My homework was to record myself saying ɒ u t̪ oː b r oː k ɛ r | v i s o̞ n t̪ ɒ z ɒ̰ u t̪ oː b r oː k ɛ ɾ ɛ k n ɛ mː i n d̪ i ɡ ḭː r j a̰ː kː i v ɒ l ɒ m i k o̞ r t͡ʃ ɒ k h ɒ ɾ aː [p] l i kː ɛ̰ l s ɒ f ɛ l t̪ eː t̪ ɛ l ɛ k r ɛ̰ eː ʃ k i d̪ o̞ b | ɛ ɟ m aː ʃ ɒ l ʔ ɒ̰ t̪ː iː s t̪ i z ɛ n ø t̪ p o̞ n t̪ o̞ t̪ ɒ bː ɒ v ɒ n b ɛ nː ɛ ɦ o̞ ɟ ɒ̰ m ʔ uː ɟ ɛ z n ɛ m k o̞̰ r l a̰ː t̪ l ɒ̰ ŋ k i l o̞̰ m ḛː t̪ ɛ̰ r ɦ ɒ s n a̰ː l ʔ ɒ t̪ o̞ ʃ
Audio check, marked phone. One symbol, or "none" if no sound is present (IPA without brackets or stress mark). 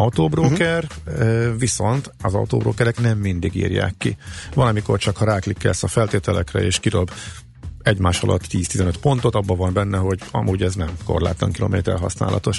k